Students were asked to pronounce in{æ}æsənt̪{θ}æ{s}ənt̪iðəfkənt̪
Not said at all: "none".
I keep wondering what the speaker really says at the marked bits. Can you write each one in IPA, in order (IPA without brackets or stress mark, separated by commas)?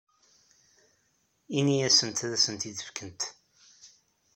i, ð, s